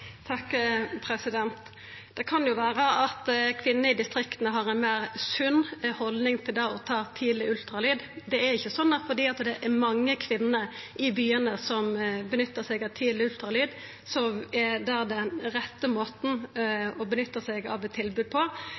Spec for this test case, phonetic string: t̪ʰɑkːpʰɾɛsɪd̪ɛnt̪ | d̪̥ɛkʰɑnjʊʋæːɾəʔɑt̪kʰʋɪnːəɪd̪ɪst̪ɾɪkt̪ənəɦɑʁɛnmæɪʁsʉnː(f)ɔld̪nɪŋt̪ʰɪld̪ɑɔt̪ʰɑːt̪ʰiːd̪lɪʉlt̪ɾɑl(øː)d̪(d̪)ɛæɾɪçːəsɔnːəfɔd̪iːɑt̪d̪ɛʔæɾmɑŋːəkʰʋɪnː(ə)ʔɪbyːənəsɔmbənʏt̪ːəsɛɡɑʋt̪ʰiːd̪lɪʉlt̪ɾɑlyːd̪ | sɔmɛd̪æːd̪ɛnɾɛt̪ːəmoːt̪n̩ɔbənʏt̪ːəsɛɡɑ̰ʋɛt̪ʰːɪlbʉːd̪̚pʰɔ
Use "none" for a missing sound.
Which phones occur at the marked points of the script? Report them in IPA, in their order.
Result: h, yː, d̪, ə

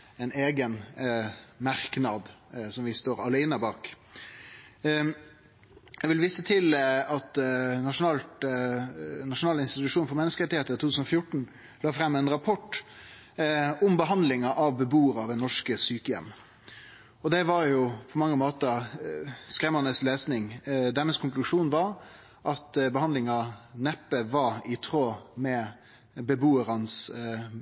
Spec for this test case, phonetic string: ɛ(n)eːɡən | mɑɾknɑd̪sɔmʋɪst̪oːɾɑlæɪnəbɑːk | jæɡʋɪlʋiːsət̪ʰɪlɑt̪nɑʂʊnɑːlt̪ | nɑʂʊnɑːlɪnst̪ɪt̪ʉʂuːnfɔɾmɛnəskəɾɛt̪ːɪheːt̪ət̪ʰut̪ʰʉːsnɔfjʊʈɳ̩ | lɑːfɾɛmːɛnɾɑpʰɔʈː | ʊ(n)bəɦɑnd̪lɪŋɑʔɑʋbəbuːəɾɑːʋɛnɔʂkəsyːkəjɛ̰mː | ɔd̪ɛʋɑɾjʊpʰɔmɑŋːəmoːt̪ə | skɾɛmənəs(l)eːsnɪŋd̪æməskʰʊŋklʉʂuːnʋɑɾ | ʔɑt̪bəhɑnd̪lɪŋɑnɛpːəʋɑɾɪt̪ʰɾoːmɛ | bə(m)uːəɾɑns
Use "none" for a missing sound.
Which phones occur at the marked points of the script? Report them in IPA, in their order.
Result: n, m, l, b

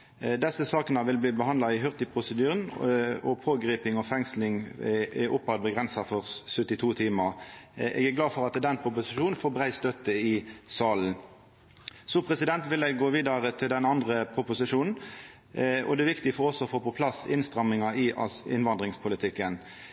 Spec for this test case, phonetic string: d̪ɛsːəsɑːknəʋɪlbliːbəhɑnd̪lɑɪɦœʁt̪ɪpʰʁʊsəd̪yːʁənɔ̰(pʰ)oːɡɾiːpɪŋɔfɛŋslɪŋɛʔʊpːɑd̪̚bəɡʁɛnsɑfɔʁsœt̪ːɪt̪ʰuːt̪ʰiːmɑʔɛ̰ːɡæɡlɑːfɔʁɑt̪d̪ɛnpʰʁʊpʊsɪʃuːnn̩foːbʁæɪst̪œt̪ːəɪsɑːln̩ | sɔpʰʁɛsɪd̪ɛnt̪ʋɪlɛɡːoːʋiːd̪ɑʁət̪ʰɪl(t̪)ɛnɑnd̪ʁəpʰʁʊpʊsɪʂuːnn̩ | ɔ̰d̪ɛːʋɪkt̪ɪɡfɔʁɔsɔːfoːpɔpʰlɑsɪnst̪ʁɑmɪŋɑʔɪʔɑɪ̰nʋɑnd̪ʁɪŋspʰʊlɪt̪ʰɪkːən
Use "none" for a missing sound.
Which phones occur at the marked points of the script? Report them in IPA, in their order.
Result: pʰ, d̪

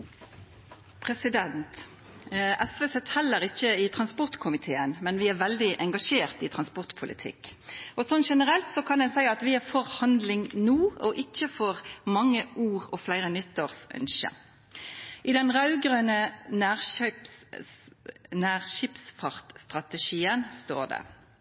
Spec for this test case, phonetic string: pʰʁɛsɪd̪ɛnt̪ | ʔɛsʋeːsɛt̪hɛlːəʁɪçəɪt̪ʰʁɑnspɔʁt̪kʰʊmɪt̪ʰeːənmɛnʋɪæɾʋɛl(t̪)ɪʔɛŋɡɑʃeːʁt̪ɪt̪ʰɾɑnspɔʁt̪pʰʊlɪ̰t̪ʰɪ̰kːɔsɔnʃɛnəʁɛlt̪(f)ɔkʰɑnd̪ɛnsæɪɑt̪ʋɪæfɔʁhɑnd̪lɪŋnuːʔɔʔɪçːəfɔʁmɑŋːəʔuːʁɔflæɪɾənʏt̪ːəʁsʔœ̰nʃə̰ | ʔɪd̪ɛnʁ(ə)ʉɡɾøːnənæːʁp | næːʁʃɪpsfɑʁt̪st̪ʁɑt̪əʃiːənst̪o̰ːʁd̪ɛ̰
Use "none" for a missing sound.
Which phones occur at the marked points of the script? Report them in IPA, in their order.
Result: d̪, s, ɑ

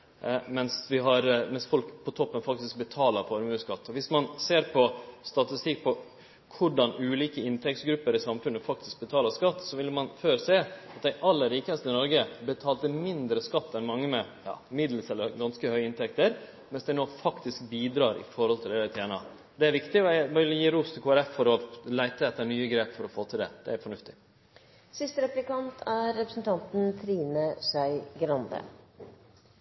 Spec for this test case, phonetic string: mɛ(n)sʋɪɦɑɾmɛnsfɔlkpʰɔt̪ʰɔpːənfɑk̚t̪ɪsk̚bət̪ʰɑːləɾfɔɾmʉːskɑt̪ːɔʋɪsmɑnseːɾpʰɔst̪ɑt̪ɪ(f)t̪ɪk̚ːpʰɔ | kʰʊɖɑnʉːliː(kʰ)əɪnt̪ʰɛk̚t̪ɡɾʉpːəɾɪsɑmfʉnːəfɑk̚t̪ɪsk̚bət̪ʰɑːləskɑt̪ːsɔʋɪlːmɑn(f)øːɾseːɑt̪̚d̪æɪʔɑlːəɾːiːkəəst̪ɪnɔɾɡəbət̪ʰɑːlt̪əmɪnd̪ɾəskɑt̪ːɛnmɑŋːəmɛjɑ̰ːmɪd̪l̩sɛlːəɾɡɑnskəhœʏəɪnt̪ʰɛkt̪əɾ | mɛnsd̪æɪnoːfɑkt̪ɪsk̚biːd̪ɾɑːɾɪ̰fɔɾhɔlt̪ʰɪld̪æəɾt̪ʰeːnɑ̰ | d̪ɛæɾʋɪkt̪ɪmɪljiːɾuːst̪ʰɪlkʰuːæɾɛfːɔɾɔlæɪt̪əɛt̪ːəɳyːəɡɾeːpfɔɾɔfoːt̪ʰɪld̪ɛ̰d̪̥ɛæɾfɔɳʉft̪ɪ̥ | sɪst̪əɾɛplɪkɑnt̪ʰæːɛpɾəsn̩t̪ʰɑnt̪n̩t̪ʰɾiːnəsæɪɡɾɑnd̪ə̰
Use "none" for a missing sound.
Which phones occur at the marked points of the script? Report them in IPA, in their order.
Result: n, s, k, f

